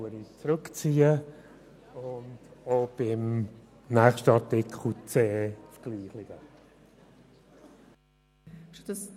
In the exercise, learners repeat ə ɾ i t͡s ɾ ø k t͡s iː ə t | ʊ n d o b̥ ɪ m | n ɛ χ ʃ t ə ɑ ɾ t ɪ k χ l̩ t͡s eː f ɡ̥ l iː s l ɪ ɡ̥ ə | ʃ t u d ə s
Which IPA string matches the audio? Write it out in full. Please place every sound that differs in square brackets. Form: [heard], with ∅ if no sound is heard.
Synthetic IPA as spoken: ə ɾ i t͡s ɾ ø k t͡s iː ə [∅] | ʊ n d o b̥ ɪ m | n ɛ χ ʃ t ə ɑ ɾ t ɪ k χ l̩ t͡s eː f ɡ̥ l iː [χ] l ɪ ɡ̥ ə | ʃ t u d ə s